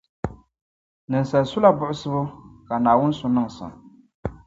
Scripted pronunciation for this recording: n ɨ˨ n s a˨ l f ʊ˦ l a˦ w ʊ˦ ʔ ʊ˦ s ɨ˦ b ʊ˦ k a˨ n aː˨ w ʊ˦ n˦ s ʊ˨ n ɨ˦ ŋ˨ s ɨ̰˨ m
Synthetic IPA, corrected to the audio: n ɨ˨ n s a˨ l s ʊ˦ l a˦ b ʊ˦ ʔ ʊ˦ s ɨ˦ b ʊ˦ k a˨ n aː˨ w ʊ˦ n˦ s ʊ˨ n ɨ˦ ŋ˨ s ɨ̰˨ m